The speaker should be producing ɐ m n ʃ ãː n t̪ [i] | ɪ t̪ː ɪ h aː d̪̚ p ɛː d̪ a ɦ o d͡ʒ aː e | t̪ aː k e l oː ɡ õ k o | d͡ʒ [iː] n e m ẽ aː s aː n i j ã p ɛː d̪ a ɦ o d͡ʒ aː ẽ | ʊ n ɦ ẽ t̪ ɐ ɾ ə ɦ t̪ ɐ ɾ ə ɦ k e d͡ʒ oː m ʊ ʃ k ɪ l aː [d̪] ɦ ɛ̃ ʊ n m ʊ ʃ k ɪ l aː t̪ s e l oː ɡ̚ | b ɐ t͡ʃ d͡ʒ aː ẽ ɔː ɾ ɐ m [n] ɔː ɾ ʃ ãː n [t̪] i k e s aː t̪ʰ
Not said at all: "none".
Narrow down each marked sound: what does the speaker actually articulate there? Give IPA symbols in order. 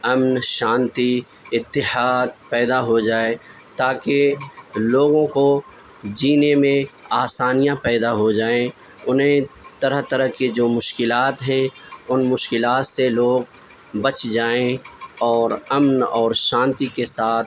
i, iː, t̪, n, t̪

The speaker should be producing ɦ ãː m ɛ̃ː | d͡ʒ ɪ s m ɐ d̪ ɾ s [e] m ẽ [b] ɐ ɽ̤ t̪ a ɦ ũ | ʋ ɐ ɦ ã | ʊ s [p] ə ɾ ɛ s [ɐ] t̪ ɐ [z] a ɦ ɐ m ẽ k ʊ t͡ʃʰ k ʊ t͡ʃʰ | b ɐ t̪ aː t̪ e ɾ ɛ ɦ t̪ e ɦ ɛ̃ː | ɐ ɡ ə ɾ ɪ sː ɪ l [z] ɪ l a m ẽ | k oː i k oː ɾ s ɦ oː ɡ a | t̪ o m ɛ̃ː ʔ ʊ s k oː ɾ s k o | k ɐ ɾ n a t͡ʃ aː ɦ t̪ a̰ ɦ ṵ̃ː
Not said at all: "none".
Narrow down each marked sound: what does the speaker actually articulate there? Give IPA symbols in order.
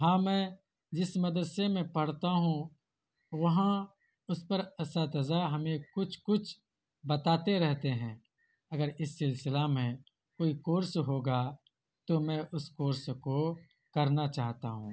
e, p, p, a, z, s

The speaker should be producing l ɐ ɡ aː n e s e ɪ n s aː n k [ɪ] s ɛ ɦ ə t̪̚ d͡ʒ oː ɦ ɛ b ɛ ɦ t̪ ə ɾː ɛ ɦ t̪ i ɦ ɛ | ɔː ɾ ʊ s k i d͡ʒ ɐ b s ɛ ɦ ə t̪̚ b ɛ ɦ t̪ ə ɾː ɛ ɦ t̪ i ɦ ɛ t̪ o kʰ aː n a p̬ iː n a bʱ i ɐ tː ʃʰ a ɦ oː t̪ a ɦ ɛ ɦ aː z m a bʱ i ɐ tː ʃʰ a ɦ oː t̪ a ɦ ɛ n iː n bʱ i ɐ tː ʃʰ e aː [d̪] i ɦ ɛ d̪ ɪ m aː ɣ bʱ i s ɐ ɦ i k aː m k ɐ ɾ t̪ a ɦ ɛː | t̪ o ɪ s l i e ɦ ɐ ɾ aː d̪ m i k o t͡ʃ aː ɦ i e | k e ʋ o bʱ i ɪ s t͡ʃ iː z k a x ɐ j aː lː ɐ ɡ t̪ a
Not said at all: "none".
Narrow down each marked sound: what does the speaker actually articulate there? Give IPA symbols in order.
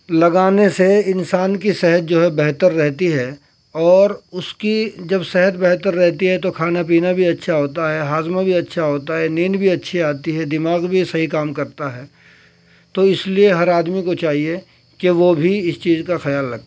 i, t̪

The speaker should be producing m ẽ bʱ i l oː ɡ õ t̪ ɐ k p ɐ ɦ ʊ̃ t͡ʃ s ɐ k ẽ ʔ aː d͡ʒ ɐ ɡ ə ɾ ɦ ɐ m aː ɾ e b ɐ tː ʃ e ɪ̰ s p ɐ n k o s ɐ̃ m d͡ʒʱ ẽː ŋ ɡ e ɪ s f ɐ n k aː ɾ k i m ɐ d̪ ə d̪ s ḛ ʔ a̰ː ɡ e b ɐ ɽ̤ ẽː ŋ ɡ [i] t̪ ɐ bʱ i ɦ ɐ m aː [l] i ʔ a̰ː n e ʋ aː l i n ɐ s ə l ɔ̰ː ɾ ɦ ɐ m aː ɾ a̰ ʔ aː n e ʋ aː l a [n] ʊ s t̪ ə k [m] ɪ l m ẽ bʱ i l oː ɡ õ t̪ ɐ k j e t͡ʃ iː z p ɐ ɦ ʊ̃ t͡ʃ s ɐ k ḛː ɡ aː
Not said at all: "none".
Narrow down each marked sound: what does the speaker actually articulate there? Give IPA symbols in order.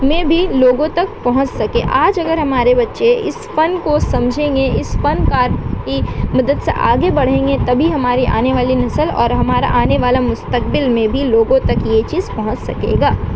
e, ɾ, m, b

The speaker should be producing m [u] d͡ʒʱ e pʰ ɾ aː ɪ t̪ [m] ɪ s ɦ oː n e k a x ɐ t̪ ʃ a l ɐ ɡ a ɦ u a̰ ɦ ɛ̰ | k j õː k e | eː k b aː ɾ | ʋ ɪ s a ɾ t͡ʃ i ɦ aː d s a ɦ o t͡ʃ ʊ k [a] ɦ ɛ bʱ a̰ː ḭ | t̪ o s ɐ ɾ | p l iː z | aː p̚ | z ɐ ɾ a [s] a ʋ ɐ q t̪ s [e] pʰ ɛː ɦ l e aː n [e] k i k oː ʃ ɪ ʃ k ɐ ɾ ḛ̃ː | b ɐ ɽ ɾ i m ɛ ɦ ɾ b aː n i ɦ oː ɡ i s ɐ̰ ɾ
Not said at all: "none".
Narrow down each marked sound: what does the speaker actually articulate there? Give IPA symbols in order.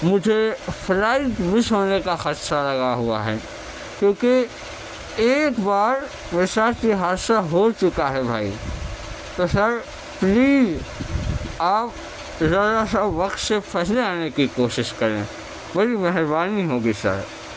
ʊ, m, a, s, e, e

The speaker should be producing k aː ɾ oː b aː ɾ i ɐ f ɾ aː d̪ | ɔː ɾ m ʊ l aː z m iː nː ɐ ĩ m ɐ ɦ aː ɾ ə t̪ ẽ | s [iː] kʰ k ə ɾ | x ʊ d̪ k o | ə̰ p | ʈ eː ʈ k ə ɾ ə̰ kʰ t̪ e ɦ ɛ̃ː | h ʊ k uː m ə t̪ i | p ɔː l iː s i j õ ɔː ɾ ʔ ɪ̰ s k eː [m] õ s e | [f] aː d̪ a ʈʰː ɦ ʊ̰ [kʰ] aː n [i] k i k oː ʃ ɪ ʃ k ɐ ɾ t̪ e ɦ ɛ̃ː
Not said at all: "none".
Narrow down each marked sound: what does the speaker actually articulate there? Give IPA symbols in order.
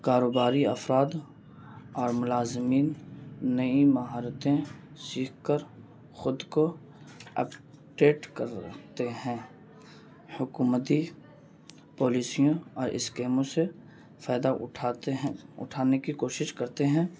iː, m, f, ʈʰ, e

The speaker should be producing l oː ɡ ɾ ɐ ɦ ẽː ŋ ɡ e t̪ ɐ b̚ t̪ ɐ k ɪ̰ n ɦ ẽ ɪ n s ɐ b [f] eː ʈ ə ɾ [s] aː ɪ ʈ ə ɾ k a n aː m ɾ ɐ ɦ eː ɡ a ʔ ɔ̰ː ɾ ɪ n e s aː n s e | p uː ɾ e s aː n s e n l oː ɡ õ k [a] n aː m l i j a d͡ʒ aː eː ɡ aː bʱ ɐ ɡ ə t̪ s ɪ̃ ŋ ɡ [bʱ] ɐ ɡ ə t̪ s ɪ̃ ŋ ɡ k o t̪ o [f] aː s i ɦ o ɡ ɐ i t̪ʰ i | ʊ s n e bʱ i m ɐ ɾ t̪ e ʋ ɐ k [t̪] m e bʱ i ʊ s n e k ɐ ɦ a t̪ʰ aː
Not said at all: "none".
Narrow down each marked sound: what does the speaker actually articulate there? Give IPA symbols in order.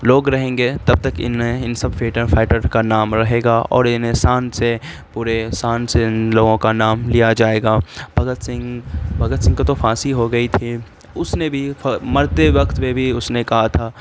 f, f, a, bʱ, f, t̪

